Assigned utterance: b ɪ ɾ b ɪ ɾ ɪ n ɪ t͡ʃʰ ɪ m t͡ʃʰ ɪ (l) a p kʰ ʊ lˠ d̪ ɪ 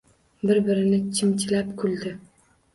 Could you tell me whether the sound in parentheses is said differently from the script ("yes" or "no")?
no